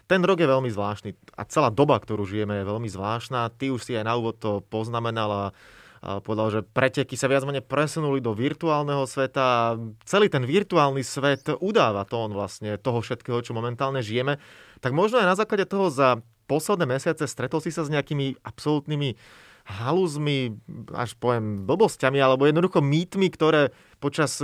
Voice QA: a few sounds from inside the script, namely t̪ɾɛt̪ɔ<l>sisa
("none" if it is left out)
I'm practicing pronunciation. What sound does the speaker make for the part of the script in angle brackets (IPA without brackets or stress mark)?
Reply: l